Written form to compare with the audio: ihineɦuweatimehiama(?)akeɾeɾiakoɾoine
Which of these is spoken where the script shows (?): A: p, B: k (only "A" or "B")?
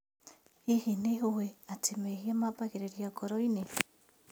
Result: A